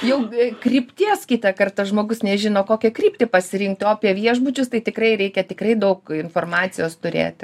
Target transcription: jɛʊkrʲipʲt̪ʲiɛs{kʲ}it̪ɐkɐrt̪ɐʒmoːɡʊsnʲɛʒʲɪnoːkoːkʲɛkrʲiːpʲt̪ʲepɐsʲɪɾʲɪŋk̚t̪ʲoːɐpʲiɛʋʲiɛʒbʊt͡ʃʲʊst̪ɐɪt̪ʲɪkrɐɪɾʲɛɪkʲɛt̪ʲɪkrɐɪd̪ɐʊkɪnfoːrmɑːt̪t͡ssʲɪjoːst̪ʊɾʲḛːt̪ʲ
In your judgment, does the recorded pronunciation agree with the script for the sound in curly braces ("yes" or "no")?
yes